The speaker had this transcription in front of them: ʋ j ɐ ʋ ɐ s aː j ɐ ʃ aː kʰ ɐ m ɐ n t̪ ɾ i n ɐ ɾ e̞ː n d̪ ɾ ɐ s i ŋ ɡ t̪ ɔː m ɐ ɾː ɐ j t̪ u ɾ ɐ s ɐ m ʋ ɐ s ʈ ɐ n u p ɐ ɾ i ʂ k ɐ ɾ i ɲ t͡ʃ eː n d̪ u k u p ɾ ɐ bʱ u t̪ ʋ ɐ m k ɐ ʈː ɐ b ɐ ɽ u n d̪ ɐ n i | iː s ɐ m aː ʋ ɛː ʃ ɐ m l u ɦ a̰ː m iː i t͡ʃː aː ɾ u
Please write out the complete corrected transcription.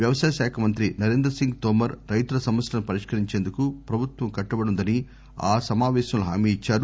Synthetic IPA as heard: ʋ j ɐ ʋ ɐ s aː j ɐ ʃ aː kʰ ɐ m ɐ n t̪ ɾ i n ɐ ɾ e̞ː n d̪ ɾ ɐ s i ŋ ɡ t̪ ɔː m ɐ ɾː ɐ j t̪ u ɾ ɐ s ɐ m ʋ ɐ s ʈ ɐ n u p ɐ ɾ i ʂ k ɐ ɾ i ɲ t͡ʃ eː n d̪ u k u p ɾ ɐ bʱ u t̪ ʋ ɐ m k ɐ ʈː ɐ b ɐ ɽ u n d̪ ɐ n i | aː s ɐ m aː ʋ ɛː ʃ ɐ m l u ɦ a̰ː m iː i t͡ʃː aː ɾ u